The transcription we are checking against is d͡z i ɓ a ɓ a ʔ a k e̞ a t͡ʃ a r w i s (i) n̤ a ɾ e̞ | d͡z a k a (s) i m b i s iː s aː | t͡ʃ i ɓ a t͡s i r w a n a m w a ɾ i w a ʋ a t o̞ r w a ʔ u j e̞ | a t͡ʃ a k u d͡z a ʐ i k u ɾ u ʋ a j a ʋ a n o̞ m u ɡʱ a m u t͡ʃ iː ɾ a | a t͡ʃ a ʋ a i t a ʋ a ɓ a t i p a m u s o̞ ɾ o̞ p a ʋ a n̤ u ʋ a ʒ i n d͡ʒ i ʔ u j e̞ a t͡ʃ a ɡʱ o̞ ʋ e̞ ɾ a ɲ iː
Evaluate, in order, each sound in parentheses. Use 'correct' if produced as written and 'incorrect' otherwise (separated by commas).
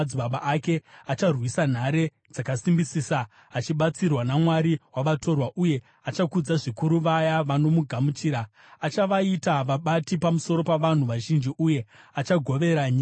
incorrect, correct